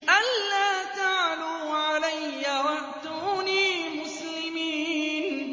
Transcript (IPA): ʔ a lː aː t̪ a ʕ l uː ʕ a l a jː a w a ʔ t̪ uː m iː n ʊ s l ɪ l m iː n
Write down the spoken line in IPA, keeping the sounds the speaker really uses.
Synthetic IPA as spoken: ʔ a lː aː t̪ a ʕ l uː ʕ a l a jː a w a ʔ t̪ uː n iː m ʊ s l ɪ m iː n

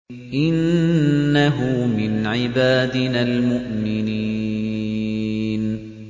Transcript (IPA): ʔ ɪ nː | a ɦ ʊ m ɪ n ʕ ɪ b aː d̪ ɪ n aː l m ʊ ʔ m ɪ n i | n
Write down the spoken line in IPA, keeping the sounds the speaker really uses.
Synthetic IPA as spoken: ʔ ɪ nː | a ɦ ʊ m ɪ n ʕ ɪ b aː d̪ ɪ n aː l m ʊ ʔ m ɪ n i | n

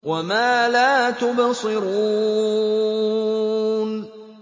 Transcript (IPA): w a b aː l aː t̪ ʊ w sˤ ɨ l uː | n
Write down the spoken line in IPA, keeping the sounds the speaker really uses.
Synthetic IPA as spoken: w a m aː l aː t̪ ʊ b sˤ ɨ ɾ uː | n

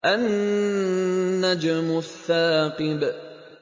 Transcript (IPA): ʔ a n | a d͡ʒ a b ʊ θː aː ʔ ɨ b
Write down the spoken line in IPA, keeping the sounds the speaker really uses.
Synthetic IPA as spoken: ʔ a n | a d͡ʒ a m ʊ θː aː q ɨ b

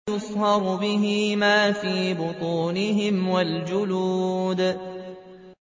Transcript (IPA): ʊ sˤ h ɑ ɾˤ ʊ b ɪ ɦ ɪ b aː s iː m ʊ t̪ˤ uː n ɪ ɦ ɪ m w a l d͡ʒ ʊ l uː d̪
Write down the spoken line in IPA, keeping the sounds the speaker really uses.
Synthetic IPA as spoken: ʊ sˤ h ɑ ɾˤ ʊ b ɪ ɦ ɪ m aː f iː b ʊ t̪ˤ uː n ɪ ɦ ɪ m w a l d͡ʒ ʊ l uː d̪

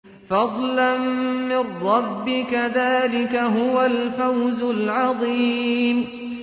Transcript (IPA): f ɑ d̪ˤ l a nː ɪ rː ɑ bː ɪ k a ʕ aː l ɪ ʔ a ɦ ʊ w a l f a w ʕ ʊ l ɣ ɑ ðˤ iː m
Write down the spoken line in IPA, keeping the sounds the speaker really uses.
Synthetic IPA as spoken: f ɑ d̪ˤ l a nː ɪ rː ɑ bː ɪ k a ð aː l ɪ k a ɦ ʊ w a l f a w z ʊ l ʕ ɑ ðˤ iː m

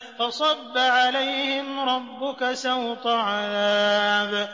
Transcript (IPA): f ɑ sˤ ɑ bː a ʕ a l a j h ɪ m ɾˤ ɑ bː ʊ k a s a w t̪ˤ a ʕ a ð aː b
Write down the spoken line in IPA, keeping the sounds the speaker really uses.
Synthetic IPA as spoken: f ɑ sˤ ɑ bː a ʕ a l a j h ɪ m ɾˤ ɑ bː ʊ k a s a w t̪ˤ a ʕ a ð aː b

